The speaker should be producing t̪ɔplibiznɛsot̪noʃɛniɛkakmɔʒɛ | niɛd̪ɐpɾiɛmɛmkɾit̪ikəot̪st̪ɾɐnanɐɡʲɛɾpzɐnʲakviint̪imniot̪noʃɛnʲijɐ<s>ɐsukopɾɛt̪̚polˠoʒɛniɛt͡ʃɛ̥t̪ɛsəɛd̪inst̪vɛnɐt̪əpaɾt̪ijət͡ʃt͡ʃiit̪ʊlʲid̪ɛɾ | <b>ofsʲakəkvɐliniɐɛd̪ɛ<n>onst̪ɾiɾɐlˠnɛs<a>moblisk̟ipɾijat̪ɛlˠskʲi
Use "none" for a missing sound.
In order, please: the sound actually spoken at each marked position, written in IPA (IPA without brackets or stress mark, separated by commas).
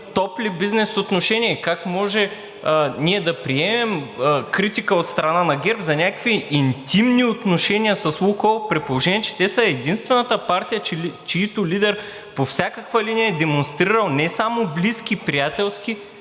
s, p, m, a